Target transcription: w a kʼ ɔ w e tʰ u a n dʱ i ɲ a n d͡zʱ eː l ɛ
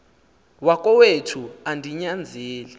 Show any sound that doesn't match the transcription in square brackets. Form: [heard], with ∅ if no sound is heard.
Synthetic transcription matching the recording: w a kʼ ɔ w e tʰ u a n dʱ i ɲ a n d͡zʱ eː l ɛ